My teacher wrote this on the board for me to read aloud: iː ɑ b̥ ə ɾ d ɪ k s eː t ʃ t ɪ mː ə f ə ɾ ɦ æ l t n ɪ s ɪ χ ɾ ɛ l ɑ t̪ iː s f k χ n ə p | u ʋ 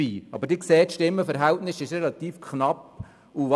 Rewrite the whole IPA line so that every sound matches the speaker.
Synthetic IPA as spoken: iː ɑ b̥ ə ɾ d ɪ k s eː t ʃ t ɪ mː ə f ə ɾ ɦ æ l t n ɪ s ɪ ʃ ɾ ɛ l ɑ t̪ iː f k χ n ɑ p | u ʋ